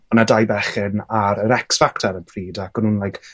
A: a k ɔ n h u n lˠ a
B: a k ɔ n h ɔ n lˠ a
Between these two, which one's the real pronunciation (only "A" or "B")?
A